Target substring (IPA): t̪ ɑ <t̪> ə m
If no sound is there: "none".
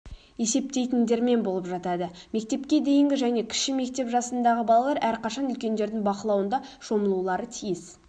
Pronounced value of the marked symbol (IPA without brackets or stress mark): d̪